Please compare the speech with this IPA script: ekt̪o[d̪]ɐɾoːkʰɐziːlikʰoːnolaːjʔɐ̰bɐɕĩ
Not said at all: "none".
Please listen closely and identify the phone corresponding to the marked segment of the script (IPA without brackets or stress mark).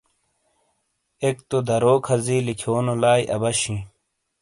d̪